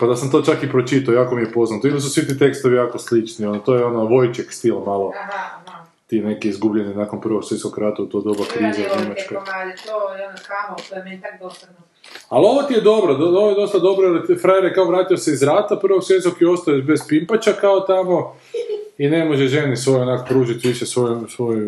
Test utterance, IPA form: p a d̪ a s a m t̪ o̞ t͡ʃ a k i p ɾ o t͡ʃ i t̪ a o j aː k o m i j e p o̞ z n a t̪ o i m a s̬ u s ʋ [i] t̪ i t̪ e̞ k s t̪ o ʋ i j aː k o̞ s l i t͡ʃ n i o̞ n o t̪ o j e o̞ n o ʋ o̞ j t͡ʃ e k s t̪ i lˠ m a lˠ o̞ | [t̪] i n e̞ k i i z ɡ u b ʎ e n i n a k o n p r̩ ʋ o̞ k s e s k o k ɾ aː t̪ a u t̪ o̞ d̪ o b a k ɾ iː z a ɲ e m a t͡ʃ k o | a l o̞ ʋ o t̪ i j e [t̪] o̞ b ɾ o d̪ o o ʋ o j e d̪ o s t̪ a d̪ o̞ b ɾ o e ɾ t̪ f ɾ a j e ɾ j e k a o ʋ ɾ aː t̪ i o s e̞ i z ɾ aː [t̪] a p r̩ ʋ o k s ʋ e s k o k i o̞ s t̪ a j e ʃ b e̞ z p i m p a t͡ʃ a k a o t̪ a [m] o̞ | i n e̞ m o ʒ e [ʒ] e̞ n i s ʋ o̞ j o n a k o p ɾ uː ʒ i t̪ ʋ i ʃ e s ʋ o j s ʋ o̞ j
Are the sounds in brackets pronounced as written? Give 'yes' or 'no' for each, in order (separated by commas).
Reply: yes, yes, no, yes, yes, yes